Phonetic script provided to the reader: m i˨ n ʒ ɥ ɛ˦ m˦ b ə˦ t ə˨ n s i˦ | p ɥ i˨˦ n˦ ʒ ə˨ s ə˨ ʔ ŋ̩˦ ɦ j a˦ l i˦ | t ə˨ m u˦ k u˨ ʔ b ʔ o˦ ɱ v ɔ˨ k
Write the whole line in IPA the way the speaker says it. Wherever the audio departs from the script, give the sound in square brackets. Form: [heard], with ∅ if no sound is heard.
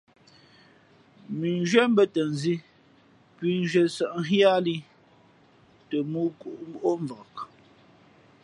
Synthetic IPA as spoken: m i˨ n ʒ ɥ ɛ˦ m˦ b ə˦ t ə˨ n [z] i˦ | p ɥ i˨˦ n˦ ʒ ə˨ s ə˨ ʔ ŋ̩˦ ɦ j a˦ l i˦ | t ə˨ m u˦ k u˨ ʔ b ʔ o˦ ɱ v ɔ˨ k